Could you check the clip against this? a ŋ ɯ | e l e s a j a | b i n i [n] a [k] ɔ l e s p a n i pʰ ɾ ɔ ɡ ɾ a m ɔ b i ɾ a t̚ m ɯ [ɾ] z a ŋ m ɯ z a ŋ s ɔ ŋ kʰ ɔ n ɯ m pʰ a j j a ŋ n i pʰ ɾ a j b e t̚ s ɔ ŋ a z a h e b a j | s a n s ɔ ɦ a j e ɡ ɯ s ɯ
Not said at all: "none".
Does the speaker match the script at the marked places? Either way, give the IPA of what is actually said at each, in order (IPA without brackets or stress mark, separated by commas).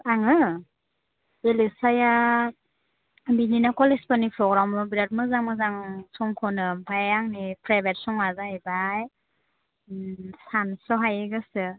n, k, none